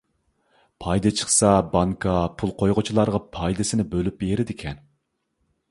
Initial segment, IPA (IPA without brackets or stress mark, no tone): pʰ